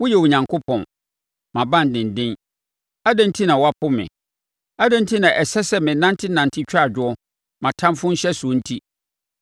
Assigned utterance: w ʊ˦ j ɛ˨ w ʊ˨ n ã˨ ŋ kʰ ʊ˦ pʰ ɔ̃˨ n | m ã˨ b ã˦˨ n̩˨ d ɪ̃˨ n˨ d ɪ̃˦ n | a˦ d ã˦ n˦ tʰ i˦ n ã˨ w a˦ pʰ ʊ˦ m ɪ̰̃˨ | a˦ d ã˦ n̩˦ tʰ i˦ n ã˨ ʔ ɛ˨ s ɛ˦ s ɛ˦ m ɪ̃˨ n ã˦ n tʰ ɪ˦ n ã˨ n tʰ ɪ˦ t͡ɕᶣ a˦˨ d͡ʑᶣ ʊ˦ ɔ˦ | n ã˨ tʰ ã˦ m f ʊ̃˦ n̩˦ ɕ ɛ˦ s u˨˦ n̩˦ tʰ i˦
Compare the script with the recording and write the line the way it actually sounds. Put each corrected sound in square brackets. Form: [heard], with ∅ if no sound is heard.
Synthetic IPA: w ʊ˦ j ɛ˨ w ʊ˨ [ɲ] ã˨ ŋ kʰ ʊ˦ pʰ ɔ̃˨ n | m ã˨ b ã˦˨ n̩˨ d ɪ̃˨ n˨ d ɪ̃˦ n | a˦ d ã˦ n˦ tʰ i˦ n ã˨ w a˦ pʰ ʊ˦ m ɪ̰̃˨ | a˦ d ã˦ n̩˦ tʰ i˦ n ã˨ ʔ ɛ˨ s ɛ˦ s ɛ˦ m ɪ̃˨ n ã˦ n tʰ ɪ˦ n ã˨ n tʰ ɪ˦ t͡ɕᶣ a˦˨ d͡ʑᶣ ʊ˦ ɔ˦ | [m] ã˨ tʰ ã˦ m f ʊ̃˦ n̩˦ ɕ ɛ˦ s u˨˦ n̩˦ tʰ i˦